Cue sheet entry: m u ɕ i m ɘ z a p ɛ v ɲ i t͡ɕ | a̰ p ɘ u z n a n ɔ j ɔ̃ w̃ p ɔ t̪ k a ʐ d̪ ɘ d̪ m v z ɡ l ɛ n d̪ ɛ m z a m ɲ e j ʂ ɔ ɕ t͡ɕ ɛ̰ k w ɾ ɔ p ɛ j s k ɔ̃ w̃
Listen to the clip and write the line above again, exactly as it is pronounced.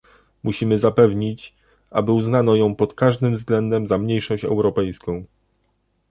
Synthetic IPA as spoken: m u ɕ i m ɘ z a p ɛ v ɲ i t͡ɕ | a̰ b ɘ u z n a n ɔ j ɔ̃ w̃ p ɔ t̪ k a ʐ d̪ ɘ m v z ɡ l ɛ n d̪ ɛ m z a m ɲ e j ʂ ɔ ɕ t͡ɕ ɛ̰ w ɾ ɔ p ɛ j s k ɔ̃ w̃

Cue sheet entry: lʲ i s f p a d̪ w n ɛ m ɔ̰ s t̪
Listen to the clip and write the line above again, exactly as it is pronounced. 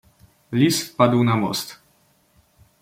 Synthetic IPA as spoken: lʲ i s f p a d̪ w n a m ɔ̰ s t̪

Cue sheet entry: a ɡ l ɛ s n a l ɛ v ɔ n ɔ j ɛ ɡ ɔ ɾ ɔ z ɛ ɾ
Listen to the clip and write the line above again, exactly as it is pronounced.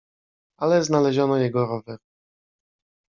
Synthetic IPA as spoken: a l ɛ z n a l ɛ ʑ ɔ n ɔ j ɛ ɡ ɔ ɾ ɔ v ɛ ɾ

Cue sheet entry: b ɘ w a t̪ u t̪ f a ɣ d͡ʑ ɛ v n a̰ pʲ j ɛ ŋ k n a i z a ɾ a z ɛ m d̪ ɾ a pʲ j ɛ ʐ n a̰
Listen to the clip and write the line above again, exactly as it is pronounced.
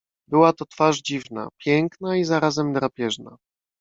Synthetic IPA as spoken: b ɘ w a t̪ ɔ t̪ f a ʐ d͡ʑ i v n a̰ pʲ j ɛ ŋ k n a i z a ɾ a z ɛ m d̪ ɾ a pʲ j ɛ ʐ n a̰

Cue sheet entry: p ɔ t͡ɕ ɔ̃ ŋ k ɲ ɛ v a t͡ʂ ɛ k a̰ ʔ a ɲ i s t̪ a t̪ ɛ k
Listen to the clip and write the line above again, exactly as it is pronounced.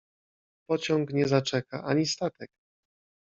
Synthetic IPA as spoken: p ɔ t͡ɕ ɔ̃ ŋ k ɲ ɛ z a t͡ʂ ɛ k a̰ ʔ a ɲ i s t̪ a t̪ ɛ k

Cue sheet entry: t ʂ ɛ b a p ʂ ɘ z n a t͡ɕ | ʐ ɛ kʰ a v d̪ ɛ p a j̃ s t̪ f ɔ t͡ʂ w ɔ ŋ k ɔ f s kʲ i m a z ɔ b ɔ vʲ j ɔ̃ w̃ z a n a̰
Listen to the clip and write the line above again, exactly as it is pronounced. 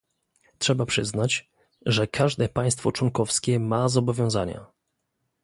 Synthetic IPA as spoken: t ʂ ɛ b a p ʂ ɘ z n a t͡ɕ | ʐ ɛ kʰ a ʐ d̪ ɛ p a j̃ s t̪ f ɔ t͡ʂ w ɔ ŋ k ɔ f s kʲ ɛ m a z ɔ b ɔ vʲ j ɔ̃ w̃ z a ɲ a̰

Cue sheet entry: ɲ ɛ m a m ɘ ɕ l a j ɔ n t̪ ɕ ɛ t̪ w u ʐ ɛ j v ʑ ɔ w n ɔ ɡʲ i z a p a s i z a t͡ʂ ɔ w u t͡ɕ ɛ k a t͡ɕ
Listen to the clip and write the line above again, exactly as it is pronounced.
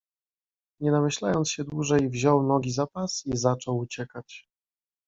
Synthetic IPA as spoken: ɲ ɛ n a m ɘ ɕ l a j ɔ n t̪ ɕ ɛ d̪ w u ʐ ɛ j v ʑ ɔ w n ɔ ɡʲ i z a p a s i z a t͡ʂ ɔ w u t͡ɕ ɛ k a t͡ɕ

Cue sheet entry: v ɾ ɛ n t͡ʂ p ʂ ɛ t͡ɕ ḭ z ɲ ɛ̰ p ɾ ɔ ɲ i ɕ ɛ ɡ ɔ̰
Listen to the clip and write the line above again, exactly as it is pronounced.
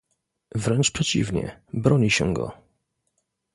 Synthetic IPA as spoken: v ɾ ɛ n t͡ʂ p ʂ ɛ t͡ɕ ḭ v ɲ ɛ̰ b ɾ ɔ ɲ i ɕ ɛ ɡ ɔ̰

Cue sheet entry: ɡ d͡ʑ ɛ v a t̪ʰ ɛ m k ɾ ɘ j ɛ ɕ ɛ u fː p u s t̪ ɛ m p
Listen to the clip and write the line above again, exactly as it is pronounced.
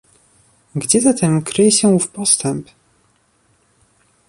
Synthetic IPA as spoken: ɡ d͡ʑ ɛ z a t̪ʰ ɛ m k ɾ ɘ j ɛ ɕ ɛ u f p ɔ s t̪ ɛ m p

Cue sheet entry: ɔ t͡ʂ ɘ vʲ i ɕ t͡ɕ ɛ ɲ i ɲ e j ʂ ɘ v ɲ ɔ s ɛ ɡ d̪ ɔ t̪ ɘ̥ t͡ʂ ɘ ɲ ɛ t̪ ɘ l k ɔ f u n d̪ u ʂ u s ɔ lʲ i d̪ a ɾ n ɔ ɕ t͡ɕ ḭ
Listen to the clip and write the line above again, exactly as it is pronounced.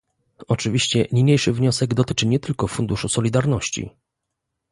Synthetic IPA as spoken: ɔ t͡ʂ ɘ vʲ i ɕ t͡ɕ ɛ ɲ i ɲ e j ʂ ɘ v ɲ ɔ s ɛ ɡ d̪ ɔ t̪ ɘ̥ t͡ʂ ɘ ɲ ɛ t̪ ɘ l k ɔ f u n d̪ u ʂ u s ɔ lʲ i d̪ a ɾ n ɔ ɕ t͡ɕ ḭ

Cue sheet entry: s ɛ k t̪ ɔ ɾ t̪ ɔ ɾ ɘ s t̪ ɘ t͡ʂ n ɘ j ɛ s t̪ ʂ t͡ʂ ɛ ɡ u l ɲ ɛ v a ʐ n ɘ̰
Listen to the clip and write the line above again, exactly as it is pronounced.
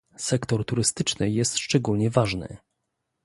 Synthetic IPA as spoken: s ɛ k t̪ ɔ ɾ t̪ u ɾ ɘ s t̪ ɘ t͡ʂ n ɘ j ɛ s t̪ ʂ t͡ʂ ɛ ɡ u l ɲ ɛ v a ʐ n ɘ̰

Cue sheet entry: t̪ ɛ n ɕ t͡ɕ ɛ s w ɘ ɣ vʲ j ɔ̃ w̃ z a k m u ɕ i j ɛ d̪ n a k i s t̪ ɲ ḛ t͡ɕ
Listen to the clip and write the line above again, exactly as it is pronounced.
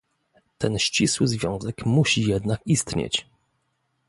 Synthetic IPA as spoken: t̪ ɛ n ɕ t͡ɕ i s w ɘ z vʲ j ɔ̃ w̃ z ɛ k m u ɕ i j ɛ d̪ n a k i s t̪ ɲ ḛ t͡ɕ

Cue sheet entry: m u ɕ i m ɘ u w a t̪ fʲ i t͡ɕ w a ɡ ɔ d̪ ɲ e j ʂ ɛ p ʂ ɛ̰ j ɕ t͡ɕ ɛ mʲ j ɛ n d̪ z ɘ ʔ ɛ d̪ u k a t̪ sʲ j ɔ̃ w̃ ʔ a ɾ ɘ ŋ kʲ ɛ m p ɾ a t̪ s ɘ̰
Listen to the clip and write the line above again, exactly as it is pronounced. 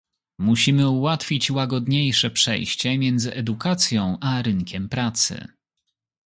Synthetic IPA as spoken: m u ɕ i m ɘ u w a t̪ fʲ i t͡ɕ w a ɡ ɔ d̪ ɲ e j ʂ ɛ p ʂ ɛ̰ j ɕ t͡ɕ ɛ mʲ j ɛ n d̪ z ɘ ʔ ɛ d̪ u k a t̪ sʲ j ɔ̃ w̃ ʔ a ɾ ɘ ŋ kʲ ɛ m p ɾ a t̪ s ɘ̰

